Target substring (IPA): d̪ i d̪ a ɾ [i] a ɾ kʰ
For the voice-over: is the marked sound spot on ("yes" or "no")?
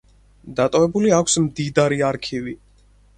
yes